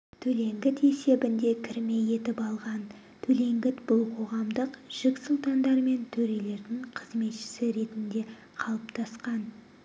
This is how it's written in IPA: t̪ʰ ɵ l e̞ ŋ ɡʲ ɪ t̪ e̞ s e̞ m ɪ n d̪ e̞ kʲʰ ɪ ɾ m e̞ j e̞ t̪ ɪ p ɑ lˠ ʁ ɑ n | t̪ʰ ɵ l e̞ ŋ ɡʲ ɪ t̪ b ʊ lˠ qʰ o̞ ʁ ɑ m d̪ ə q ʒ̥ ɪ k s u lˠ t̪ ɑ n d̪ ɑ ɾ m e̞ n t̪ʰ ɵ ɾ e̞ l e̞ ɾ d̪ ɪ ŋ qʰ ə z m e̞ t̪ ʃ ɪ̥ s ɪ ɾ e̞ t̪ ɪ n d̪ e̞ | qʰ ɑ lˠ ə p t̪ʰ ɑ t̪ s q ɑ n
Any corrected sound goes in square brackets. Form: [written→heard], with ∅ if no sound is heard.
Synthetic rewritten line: t̪ʰ ɵ l e̞ ŋ ɡʲ ɪ t̪ e̞ s e̞ [m→b] ɪ n d̪ e̞ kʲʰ ɪ ɾ m e̞ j e̞ t̪ ɪ p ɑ lˠ ʁ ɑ n | t̪ʰ ɵ l e̞ ŋ ɡʲ ɪ t̪ b ʊ lˠ qʰ o̞ ʁ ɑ m d̪ ə q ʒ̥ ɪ k s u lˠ t̪ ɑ n d̪ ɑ ɾ m e̞ n t̪ʰ ɵ ɾ e̞ l e̞ ɾ d̪ ɪ ŋ qʰ ə z m e̞ t̪ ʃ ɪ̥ s ɪ ɾ e̞ t̪ ɪ n d̪ e̞ | qʰ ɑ lˠ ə p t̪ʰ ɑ [t̪→∅] s q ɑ n